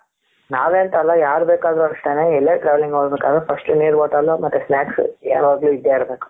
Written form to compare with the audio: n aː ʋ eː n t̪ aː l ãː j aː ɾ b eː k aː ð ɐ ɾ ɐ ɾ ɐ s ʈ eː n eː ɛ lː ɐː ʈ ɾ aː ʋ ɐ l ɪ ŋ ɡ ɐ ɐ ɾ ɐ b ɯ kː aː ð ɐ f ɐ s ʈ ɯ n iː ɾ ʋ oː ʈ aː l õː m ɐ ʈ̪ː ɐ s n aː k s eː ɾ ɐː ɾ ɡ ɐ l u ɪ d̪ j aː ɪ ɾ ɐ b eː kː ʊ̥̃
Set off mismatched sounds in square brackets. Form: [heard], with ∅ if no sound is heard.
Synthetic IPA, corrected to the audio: n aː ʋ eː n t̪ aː l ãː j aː ɾ b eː k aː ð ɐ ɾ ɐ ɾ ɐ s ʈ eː n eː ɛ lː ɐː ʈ ɾ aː ʋ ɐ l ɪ ŋ ɡ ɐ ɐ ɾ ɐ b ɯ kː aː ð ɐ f ɐ s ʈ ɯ n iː ɾ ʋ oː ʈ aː l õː m ɐ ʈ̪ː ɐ s n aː k s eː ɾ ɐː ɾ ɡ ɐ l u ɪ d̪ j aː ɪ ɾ ɐ b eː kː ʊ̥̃